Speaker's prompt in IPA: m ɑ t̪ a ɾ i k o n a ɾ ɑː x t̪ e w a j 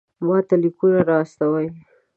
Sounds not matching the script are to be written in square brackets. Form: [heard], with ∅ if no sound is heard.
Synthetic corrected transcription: m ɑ t̪ a [l] i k [u] n a ɾ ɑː [s] t̪ [a] w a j